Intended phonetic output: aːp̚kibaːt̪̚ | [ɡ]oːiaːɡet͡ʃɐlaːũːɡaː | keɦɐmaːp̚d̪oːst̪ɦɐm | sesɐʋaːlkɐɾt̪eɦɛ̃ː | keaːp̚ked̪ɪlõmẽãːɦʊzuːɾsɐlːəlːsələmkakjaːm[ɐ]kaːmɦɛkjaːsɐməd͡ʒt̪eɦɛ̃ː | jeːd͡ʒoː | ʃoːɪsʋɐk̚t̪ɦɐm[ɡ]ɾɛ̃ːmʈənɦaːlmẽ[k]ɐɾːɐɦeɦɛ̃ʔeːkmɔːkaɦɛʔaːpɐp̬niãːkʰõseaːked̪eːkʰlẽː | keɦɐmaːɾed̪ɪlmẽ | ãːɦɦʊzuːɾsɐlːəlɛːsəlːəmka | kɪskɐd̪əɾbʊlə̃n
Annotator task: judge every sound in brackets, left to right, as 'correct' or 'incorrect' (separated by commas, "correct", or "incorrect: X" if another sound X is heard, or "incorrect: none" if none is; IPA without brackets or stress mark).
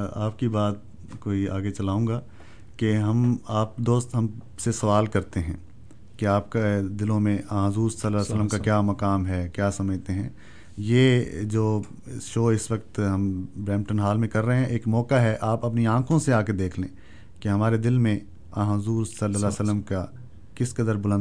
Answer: incorrect: k, correct, incorrect: b, correct